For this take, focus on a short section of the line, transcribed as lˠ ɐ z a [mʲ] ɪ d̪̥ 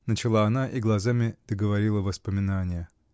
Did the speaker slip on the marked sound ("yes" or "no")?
no